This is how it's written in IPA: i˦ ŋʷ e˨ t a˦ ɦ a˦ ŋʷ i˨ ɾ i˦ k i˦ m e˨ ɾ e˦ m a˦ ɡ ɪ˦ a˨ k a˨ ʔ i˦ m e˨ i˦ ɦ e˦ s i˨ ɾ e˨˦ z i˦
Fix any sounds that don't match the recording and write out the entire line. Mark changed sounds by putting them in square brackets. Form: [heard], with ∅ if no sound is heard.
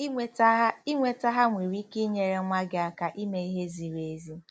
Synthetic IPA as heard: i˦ ŋʷ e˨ t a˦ ɦ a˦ ŋʷ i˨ ɾ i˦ k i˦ [ɲ] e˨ ɾ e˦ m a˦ ɡ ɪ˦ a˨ k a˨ ʔ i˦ m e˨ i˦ ɦ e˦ [z] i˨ ɾ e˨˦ z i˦